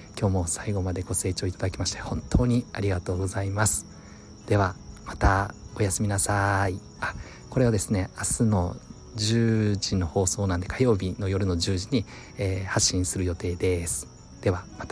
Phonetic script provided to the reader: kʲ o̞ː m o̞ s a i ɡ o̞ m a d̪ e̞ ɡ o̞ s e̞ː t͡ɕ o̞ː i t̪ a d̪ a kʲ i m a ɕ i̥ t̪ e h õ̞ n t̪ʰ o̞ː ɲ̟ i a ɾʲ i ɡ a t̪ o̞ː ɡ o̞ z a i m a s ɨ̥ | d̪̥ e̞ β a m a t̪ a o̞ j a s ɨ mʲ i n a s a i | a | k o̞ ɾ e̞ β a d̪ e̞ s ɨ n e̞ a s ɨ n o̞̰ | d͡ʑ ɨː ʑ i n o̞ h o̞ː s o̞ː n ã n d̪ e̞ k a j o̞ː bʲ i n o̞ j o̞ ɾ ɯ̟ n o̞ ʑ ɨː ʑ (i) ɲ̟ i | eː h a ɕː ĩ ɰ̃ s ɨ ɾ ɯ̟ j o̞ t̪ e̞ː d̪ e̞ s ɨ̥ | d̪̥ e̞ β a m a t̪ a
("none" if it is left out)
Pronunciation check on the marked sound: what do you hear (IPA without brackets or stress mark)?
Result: i